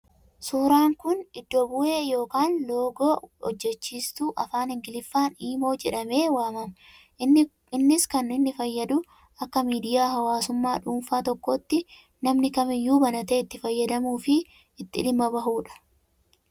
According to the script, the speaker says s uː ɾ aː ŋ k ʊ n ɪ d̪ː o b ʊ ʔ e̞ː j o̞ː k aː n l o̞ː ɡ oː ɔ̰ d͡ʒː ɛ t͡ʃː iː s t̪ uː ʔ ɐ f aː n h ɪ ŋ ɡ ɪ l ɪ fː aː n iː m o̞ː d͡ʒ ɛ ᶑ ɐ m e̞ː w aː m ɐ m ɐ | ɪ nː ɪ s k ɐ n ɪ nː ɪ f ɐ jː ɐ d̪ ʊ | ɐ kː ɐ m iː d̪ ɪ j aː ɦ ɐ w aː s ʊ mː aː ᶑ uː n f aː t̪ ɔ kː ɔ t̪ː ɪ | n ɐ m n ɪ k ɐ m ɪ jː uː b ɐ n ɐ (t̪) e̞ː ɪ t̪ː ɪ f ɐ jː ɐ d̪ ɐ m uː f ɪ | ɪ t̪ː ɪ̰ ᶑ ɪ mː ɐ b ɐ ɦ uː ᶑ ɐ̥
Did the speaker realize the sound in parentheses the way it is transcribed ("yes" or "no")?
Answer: yes